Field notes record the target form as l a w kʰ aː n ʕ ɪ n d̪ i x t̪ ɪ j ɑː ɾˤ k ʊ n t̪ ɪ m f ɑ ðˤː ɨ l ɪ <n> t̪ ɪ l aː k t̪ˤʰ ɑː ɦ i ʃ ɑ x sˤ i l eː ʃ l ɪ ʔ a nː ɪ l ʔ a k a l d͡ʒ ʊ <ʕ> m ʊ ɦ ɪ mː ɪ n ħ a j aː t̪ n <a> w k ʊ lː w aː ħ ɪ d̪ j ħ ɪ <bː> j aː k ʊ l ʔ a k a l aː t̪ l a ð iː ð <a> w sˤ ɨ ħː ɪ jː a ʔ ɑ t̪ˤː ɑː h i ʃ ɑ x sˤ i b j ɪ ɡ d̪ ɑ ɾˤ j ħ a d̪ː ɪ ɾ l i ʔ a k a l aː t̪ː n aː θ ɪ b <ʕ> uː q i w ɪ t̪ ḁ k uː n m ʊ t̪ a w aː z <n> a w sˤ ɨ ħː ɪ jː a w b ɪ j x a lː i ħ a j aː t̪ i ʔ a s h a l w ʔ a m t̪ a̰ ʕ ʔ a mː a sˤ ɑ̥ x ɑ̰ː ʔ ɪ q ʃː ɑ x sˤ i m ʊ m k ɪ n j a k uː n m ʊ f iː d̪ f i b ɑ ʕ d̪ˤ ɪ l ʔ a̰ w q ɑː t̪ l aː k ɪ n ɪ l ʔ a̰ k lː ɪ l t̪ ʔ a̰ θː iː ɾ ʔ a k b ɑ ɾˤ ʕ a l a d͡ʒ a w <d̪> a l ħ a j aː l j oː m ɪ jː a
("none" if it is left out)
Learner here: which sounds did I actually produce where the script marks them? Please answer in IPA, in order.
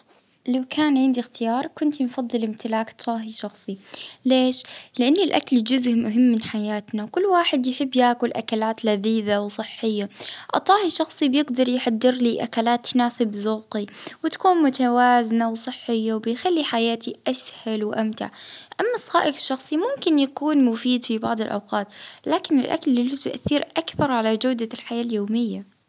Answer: m, z, a, bː, a, z, n, d̪

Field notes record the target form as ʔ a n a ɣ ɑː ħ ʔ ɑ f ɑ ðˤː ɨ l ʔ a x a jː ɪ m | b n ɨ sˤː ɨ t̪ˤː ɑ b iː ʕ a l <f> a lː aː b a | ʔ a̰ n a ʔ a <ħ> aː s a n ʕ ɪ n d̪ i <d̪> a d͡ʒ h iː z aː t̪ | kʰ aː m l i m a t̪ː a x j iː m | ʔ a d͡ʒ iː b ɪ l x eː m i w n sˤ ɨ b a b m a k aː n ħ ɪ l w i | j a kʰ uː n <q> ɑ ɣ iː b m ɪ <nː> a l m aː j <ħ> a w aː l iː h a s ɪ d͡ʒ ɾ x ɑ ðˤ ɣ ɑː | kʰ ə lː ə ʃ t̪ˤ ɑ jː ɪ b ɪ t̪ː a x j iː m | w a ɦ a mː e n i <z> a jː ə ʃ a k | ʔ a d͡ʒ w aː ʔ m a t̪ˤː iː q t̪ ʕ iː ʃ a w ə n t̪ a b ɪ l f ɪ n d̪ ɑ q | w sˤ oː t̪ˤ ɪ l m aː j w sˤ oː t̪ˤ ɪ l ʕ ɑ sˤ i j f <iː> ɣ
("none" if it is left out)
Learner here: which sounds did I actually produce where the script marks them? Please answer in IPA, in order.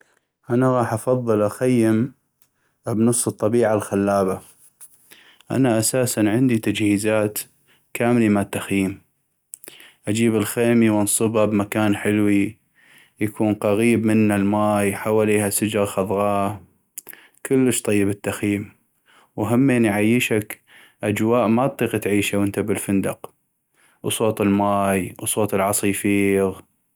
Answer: x, s, t̪, q, nː, ħ, ʕ, iː

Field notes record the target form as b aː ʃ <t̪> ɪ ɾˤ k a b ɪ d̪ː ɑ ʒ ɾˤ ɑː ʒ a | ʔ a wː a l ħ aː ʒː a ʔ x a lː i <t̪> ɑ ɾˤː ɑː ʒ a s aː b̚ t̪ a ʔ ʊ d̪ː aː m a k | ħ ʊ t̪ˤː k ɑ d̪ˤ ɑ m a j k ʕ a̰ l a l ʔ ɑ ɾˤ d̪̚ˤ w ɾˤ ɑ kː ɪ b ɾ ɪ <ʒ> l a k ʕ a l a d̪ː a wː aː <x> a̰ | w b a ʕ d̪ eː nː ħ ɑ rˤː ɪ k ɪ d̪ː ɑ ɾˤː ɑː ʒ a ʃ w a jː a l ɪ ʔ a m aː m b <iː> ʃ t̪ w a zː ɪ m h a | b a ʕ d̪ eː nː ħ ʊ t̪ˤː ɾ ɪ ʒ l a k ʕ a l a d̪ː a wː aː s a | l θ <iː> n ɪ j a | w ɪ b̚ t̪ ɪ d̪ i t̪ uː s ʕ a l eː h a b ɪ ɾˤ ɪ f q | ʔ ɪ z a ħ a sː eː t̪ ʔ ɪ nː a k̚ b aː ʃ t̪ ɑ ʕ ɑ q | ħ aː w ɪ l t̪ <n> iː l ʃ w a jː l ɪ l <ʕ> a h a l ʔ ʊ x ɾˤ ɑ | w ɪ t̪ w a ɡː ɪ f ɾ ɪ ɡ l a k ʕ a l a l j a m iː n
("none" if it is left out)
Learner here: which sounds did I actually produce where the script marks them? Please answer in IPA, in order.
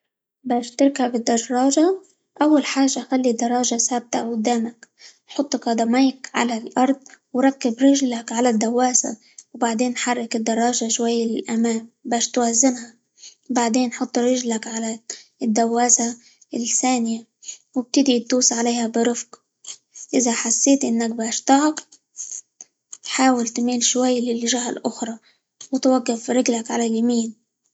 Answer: t̪, d̪, ʒ, s, aː, aː, m, ʒ

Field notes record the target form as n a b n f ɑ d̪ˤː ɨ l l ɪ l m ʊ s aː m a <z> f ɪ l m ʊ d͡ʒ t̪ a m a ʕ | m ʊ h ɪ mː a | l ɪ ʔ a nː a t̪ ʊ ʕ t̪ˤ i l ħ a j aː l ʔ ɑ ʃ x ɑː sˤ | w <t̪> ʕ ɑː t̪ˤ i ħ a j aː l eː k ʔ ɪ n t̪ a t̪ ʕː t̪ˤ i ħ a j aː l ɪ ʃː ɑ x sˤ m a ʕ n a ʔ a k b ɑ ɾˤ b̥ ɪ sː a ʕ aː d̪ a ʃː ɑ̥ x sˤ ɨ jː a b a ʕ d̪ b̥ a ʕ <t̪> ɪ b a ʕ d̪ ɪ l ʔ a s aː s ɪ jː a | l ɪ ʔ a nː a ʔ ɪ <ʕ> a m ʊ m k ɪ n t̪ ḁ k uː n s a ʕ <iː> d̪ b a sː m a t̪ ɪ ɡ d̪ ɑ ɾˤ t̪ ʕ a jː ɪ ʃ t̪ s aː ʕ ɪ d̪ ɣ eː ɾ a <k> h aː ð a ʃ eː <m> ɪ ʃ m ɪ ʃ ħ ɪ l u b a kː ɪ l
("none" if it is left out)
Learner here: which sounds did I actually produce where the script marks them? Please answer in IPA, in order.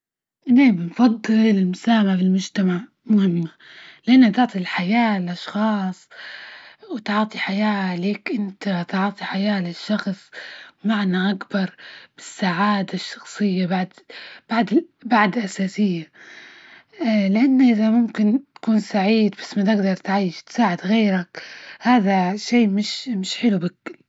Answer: ʕ, t̪, d̪, ð, iː, k, m

